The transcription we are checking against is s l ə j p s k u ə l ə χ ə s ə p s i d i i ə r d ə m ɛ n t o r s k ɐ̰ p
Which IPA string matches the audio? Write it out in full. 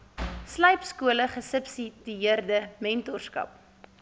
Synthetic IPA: s l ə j p s k u ə l ə χ ə s ə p s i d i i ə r d ə m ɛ n t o r s k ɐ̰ p

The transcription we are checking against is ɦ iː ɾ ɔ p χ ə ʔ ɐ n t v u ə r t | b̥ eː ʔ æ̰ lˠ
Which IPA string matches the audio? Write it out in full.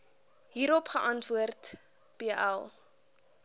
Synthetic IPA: ɦ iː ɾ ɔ p χ ə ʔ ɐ n t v u ə r t | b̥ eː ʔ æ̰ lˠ

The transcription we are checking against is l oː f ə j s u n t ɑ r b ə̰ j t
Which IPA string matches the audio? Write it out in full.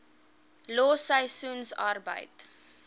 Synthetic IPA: l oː s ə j s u n s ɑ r b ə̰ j t

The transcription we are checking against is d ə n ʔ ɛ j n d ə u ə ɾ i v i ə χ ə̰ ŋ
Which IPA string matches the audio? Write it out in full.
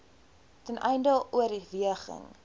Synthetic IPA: t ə n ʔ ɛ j n d ə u ə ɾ i v i ə χ ə̰ ŋ

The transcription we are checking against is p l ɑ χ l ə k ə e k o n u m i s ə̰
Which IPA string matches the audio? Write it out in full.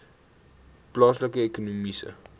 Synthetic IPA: p l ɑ s l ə k ə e k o n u m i s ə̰

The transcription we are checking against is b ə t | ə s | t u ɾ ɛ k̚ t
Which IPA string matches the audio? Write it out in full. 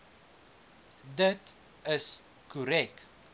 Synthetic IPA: d ə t | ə s | k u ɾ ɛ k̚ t

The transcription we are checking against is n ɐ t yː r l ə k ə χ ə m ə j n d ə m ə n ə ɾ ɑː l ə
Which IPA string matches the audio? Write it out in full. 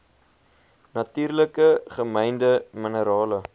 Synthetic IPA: n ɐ t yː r l ə k ə χ ə m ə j n d ə m ə n ə ɾ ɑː l ə

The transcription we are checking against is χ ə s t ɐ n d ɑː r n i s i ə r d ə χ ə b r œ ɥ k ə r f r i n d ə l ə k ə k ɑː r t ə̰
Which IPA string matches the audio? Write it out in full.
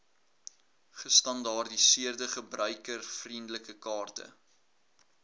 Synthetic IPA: χ ə s t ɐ n d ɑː r d i s i ə r d ə χ ə b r œ ɥ k ə r f r i n d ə l ə k ə k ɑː r t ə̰

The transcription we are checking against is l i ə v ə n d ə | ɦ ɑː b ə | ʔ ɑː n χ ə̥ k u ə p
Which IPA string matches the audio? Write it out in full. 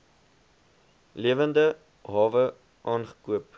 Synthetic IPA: l i ə v ə n d ə | ɦ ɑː v ə | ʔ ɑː n χ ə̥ k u ə p

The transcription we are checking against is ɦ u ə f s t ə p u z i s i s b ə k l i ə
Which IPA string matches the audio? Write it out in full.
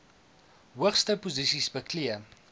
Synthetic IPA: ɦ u ə χ s t ə p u z i s i s b ə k l i ə

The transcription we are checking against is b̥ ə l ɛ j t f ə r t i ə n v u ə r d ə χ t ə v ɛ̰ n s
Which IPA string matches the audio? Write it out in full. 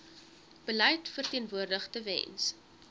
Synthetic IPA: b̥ ə l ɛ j t f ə r t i ə n v u ə r d ə χ t ə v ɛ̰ n s

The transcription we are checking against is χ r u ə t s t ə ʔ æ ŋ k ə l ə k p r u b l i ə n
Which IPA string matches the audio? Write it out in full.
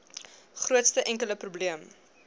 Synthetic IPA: χ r u ə t s t ə ʔ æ ŋ k ə l ə p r u b l i ə m

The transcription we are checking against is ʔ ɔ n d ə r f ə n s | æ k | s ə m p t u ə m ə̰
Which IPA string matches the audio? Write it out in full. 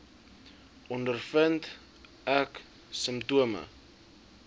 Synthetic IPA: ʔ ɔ n d ə r f ə n t | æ k | s ə m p t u ə m ə̰

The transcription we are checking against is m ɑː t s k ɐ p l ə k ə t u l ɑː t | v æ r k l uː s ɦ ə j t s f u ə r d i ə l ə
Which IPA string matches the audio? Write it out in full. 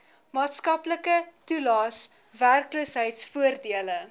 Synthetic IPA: m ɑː t s k ɐ p l ə k ə t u l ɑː s | v æ r k l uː s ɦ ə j t s f u ə r d i ə l ə

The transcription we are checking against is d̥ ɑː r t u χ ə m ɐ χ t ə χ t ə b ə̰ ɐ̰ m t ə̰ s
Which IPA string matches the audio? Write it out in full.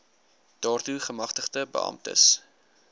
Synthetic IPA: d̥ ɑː r t u χ ə m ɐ χ t ə χ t ə b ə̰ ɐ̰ m t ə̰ s

